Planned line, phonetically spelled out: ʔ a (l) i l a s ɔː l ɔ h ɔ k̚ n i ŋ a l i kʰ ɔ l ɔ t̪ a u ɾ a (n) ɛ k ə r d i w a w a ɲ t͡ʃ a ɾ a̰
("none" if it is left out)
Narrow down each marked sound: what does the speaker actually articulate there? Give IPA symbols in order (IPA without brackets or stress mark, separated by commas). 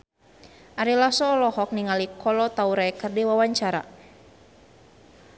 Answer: ɾ, none